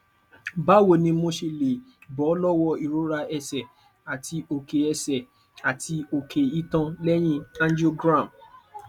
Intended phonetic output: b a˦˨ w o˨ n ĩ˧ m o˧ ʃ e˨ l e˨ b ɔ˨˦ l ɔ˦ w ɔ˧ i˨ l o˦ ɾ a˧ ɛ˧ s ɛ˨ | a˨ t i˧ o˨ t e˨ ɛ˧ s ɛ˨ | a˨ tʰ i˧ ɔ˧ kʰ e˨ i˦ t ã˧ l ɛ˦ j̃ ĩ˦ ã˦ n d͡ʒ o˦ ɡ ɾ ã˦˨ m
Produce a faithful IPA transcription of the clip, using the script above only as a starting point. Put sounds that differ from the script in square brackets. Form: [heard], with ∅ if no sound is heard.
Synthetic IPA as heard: b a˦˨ w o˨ n ĩ˧ m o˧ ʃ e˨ l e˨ b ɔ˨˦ l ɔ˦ w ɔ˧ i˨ [ɾ] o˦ ɾ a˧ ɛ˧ s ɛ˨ | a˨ t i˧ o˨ [k] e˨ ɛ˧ s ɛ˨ | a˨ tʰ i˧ [o˧] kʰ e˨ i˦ t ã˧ l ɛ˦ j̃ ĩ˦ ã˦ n d͡ʒ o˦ ɡ ɾ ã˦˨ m